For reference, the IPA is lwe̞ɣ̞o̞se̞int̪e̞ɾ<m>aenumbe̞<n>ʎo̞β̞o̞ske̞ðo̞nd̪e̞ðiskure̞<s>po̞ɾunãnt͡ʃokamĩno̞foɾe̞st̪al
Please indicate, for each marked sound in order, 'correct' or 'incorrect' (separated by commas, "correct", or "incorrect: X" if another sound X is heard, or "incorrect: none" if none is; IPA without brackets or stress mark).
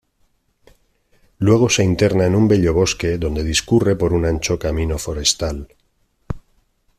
incorrect: n, incorrect: none, incorrect: none